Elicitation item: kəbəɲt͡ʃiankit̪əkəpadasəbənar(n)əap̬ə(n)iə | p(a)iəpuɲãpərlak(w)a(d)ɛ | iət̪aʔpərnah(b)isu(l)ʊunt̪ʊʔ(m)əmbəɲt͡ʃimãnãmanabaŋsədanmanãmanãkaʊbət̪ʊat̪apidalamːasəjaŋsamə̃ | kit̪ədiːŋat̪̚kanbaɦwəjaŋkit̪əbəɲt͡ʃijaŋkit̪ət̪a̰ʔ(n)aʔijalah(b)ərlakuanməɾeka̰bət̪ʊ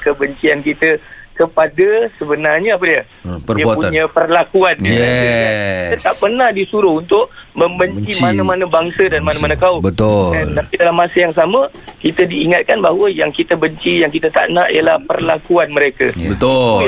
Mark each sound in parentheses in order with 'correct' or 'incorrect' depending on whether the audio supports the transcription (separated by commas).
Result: incorrect, incorrect, incorrect, incorrect, incorrect, incorrect, incorrect, correct, correct, incorrect